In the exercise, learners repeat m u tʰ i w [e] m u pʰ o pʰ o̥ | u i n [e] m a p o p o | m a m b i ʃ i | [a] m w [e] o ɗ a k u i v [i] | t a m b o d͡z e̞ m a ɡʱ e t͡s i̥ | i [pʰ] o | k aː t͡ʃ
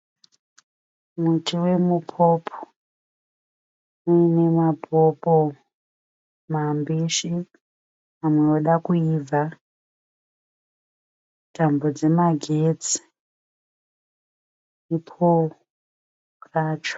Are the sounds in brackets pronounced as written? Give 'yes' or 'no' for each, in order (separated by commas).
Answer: yes, yes, yes, yes, no, yes